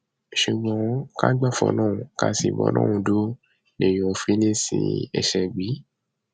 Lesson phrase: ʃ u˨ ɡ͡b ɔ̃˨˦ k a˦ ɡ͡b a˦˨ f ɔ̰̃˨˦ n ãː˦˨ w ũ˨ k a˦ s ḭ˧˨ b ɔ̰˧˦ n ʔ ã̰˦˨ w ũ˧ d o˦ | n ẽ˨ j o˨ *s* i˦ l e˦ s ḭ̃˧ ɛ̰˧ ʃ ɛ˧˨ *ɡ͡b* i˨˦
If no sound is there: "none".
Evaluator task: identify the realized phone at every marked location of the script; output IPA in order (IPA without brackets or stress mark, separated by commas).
f, ɡ͡b